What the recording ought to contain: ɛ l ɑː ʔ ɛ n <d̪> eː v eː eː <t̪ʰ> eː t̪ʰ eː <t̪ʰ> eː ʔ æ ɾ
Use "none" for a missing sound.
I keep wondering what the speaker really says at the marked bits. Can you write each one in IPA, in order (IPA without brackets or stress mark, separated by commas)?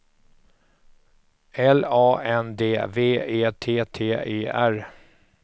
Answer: d̪, t̪ʰ, none